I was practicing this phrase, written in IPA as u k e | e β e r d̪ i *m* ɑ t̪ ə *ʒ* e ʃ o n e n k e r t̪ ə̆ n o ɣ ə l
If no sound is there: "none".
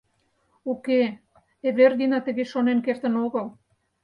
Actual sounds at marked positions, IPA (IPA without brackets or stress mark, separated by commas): n, ɣ